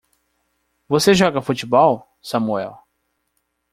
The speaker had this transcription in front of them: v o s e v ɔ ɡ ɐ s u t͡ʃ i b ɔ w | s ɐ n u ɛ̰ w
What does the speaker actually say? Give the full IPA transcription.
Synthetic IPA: v o s e ʒ ɔ ɡ ɐ f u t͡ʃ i b ɔ w | s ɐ m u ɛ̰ w